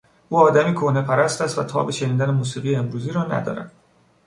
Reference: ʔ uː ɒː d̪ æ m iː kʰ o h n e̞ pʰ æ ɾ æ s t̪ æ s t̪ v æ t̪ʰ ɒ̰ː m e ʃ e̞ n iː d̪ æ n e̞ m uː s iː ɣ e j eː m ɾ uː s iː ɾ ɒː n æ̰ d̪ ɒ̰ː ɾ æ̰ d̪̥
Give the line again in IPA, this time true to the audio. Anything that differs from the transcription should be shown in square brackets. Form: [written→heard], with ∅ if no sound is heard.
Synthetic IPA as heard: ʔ uː ɒː d̪ æ m iː kʰ o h n e̞ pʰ æ ɾ æ s t̪ æ s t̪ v æ t̪ʰ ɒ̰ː [m→b] e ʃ e̞ n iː d̪ æ n e̞ m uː s iː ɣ [e→i] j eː m ɾ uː [s→z] iː ɾ ɒː n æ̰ d̪ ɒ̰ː ɾ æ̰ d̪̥